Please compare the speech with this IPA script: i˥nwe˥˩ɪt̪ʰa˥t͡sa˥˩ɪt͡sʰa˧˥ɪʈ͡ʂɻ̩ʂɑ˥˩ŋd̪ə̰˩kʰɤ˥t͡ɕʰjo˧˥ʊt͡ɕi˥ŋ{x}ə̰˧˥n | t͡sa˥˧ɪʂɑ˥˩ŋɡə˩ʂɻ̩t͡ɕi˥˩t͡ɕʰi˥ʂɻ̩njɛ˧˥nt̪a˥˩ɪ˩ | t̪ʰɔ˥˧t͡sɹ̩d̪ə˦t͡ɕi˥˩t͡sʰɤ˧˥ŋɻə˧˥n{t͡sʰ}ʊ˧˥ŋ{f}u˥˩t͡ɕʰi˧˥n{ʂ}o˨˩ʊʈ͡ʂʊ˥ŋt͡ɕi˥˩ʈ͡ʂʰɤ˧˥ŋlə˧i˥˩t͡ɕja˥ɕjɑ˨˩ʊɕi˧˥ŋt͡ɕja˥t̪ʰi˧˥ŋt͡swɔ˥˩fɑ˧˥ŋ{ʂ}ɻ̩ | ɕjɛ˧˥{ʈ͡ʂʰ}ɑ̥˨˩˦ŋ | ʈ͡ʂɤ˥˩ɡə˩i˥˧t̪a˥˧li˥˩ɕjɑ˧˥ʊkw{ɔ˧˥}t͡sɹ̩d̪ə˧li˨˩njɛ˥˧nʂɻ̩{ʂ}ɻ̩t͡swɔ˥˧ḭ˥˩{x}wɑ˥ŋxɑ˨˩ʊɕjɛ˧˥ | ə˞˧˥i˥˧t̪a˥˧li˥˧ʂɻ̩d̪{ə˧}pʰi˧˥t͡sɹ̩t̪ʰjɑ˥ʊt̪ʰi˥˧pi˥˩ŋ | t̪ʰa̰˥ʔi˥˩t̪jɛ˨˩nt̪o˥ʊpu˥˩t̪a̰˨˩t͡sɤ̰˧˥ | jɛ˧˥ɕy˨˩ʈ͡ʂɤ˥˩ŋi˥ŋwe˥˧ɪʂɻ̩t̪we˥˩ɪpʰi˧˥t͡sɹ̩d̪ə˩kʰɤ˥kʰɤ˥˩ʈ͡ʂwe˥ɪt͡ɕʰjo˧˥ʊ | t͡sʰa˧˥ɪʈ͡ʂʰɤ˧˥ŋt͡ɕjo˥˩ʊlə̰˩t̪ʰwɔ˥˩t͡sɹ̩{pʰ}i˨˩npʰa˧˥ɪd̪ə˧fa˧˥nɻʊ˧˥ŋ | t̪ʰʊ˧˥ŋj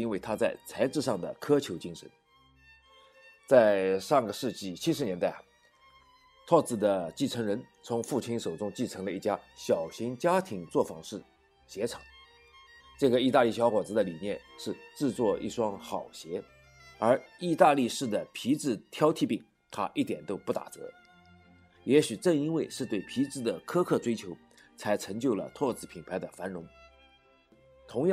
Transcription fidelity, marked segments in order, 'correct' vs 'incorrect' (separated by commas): incorrect, correct, correct, correct, correct, correct, incorrect, incorrect, incorrect, incorrect, correct